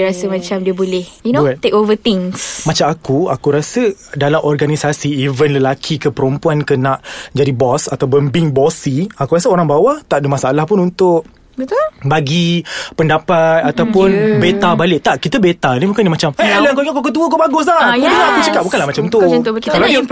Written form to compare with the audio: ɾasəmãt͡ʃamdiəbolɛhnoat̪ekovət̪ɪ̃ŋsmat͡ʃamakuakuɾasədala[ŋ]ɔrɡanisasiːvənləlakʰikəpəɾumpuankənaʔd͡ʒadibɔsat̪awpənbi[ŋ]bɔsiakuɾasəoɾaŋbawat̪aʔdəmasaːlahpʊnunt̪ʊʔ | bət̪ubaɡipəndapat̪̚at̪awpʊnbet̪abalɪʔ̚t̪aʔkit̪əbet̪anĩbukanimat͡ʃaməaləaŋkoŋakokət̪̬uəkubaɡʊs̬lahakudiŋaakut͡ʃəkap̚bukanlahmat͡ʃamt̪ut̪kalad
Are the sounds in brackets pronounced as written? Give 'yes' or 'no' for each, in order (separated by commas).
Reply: no, yes